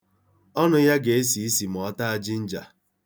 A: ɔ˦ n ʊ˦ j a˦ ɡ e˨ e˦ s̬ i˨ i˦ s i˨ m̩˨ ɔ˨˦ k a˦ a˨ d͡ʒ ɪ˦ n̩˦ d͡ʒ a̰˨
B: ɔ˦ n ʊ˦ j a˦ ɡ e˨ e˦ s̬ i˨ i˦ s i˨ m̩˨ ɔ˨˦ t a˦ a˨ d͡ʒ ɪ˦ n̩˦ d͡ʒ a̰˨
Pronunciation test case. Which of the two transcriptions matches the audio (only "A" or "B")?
B